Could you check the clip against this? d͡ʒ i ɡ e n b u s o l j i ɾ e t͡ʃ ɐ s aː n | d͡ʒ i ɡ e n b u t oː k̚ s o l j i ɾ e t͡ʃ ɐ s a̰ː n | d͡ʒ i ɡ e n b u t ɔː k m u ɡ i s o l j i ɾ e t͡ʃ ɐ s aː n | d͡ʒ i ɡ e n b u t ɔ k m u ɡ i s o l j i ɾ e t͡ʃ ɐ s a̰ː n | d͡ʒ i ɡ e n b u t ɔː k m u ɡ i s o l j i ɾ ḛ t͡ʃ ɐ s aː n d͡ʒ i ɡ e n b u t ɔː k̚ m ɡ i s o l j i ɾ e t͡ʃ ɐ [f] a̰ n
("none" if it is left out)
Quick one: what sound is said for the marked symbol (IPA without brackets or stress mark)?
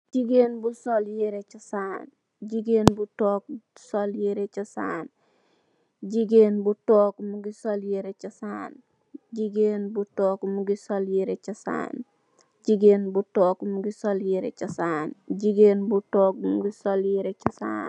s